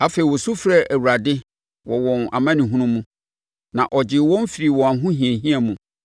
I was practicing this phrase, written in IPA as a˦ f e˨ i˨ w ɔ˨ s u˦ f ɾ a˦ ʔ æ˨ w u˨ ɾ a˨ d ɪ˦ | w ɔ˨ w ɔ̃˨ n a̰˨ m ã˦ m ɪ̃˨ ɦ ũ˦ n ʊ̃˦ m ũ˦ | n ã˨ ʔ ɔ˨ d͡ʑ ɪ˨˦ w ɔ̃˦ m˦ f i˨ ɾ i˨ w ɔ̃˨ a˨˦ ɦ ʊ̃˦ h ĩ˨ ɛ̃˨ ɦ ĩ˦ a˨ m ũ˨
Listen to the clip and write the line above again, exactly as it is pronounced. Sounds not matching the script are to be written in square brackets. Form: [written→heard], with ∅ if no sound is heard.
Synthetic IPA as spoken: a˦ f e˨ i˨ w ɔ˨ s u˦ f ɾ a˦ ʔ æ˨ w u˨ ɾ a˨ d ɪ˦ | w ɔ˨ w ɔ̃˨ n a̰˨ m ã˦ [m→n] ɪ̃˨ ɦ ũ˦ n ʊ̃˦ m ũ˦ | n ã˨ ʔ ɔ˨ d͡ʑ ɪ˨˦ w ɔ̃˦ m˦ f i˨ ɾ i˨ w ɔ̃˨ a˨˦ ɦ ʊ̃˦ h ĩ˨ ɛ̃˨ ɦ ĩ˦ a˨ m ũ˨